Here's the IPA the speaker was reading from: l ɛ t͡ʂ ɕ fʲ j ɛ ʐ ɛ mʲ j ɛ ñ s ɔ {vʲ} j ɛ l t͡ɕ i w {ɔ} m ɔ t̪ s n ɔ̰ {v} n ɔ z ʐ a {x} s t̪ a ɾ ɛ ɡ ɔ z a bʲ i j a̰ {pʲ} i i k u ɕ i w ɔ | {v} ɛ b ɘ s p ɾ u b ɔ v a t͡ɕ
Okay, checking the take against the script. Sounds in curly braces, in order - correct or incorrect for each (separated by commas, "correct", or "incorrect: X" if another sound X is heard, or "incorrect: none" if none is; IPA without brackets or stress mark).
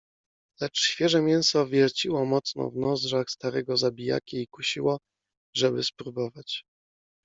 correct, correct, correct, correct, incorrect: kʲ, incorrect: ʐ